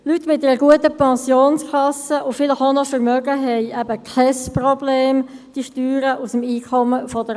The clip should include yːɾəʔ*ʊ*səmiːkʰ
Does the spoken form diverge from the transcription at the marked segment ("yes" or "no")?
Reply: yes